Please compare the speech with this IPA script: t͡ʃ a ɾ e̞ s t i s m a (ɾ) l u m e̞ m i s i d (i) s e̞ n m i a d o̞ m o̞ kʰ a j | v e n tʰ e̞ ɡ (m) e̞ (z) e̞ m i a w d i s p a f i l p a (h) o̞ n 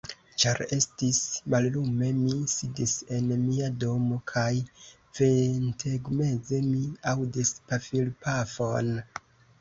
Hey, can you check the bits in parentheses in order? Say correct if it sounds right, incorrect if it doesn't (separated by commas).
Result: incorrect, correct, correct, correct, incorrect